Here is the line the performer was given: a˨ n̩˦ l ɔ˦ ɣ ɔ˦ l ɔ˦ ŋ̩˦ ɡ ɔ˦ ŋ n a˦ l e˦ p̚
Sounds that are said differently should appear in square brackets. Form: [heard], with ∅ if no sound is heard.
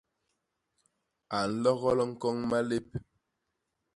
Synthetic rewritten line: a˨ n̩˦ l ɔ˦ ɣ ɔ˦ l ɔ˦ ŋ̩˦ [k] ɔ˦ ŋ [m] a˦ l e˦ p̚